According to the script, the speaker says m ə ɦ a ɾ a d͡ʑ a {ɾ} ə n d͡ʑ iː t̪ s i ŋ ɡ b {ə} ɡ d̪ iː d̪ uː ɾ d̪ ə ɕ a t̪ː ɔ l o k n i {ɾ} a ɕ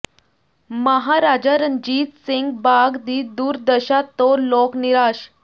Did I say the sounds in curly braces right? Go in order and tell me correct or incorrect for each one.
correct, incorrect, correct

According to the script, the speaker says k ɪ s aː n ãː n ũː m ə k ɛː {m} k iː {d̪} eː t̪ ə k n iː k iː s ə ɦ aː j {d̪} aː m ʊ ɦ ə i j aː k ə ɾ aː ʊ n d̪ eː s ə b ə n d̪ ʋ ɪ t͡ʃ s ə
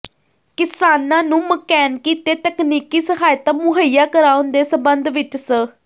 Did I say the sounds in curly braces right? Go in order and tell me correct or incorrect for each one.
incorrect, incorrect, incorrect

